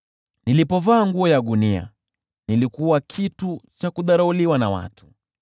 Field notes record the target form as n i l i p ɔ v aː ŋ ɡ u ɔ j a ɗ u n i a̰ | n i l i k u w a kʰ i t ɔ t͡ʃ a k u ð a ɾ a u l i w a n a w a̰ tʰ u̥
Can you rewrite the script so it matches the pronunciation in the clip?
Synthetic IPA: n i l i p ɔ v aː ŋ ɡ u ɔ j a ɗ u n i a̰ | n i l i k u w a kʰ i t u t͡ʃ a k u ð a ɾ a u l i w a n a w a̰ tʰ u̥